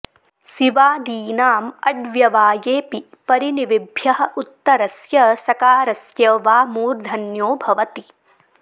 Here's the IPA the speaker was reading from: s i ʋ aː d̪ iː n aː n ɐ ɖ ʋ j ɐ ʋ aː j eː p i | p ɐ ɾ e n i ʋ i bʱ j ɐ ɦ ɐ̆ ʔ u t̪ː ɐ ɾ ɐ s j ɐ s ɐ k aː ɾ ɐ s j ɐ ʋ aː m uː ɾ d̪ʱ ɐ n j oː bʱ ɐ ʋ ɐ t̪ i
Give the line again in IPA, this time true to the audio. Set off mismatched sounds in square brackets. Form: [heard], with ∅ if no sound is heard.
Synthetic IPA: s i ʋ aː d̪ iː n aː [m] ɐ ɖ ʋ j ɐ ʋ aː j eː p i | p ɐ ɾ [i] n i ʋ i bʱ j ɐ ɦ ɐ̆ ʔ u t̪ː ɐ ɾ ɐ s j ɐ s ɐ k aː ɾ ɐ s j ɐ ʋ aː m uː ɾ d̪ʱ ɐ n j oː bʱ ɐ ʋ ɐ t̪ i